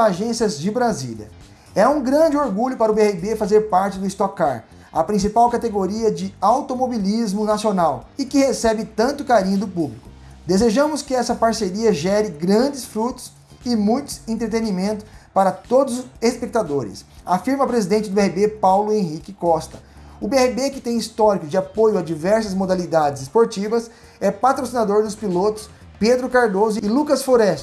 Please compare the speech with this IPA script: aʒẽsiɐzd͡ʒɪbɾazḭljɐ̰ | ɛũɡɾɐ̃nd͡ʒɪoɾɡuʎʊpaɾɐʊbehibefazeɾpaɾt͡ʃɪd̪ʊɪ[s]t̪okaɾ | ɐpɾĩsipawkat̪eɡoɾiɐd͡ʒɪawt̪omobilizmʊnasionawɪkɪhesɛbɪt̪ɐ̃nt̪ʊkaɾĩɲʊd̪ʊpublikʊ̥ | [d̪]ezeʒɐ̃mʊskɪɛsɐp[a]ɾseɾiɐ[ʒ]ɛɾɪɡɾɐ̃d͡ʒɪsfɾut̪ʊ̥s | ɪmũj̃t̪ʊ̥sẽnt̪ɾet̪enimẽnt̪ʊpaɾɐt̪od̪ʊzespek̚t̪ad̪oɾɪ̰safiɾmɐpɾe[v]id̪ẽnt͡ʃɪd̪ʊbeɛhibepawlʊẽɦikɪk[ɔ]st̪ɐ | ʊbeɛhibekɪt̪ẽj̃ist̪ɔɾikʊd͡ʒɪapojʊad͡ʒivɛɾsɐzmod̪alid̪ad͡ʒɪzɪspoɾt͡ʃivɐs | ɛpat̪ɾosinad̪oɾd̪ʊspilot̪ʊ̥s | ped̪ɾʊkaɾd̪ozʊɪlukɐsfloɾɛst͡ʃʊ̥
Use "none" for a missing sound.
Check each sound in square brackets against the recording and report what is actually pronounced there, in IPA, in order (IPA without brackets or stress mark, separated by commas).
s, d̪, a, ʒ, z, ɔ